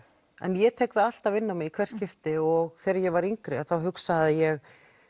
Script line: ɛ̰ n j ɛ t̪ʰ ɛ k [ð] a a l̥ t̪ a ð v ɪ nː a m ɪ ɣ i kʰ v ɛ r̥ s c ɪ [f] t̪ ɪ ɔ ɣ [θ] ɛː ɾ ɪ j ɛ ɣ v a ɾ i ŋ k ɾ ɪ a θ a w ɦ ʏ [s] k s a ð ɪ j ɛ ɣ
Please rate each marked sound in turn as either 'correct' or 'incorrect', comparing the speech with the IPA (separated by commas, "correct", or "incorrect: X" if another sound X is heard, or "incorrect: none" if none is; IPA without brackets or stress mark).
correct, correct, correct, incorrect: none